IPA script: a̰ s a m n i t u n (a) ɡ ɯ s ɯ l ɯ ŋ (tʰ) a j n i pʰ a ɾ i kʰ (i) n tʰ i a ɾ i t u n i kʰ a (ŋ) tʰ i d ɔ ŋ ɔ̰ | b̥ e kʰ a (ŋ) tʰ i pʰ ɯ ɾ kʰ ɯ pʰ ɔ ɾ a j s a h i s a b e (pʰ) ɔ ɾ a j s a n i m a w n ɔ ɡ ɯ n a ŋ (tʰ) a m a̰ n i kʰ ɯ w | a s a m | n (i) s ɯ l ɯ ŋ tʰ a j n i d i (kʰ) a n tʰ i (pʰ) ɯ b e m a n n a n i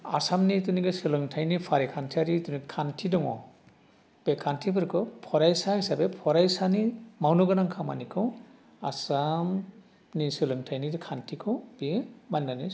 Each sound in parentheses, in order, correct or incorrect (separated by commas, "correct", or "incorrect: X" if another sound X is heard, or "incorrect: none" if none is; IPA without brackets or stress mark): incorrect: i, correct, incorrect: a, incorrect: n, incorrect: n, correct, incorrect: kʰ, correct, correct, incorrect: kʰ